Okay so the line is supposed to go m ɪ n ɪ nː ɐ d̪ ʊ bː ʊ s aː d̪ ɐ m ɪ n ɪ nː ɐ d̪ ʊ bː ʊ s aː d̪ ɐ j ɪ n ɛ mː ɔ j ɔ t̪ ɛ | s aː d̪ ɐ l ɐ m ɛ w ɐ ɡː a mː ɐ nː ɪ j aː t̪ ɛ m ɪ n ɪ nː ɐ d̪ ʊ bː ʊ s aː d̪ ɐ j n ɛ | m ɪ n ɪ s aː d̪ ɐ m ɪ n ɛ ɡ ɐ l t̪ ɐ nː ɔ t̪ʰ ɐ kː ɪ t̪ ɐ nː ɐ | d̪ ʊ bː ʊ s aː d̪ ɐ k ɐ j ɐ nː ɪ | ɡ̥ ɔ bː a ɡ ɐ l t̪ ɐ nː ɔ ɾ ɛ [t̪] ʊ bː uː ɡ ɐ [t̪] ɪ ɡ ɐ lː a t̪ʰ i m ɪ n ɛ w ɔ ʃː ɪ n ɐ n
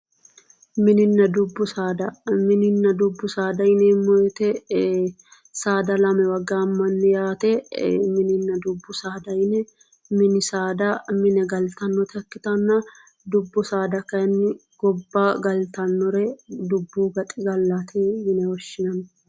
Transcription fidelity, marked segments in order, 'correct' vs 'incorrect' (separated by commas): incorrect, incorrect